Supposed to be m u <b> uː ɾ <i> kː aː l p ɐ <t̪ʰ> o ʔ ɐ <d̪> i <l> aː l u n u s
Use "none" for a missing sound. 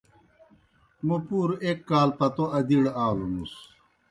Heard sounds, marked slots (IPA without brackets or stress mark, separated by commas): p, e, t̪, d̪, ɽ